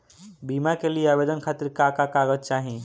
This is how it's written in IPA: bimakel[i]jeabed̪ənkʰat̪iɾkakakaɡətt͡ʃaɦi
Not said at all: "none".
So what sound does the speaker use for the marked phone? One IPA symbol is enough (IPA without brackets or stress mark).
i